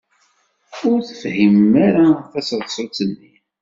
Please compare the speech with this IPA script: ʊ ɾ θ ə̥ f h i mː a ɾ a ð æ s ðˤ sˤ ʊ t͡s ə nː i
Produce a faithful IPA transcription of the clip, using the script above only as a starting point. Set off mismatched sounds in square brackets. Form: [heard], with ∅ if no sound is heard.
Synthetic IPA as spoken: ʊ ɾ θ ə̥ f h i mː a ɾ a [θ] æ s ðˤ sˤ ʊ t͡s ə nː i